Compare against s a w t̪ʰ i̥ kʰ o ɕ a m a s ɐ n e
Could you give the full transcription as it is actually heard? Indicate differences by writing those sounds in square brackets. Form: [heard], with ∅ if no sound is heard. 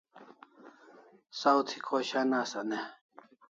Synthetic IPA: s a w t̪ʰ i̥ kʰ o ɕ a [n] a s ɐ n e